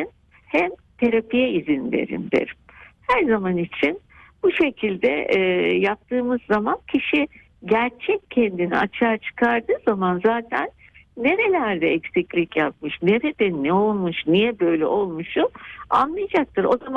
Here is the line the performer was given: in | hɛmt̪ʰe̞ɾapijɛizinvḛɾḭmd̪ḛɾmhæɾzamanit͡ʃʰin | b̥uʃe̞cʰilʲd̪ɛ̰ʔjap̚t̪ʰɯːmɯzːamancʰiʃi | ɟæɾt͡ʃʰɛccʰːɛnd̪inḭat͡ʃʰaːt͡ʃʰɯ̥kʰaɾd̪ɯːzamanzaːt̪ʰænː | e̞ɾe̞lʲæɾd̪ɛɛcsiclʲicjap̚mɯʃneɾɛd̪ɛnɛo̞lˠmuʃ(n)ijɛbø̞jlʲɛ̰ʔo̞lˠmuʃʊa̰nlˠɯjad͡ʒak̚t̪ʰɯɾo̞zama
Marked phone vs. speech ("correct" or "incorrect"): correct